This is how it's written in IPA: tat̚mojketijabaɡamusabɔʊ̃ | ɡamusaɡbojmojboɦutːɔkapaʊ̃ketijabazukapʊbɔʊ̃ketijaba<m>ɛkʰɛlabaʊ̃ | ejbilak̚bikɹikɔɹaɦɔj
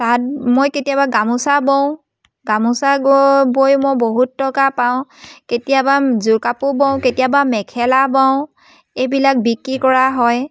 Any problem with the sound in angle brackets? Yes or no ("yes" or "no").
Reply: no